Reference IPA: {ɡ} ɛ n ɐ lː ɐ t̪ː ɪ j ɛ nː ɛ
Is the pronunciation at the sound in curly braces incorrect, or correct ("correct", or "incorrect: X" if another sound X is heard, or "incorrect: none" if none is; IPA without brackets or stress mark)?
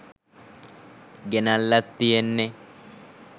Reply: correct